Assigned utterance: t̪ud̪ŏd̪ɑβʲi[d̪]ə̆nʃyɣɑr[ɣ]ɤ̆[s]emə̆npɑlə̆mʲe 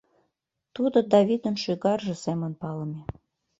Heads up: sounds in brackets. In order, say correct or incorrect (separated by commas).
correct, incorrect, correct